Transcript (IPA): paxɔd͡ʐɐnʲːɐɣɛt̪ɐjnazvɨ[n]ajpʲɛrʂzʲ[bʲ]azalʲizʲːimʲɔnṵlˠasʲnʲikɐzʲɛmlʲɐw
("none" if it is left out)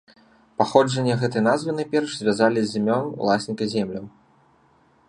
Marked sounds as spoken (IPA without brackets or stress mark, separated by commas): n, vʲ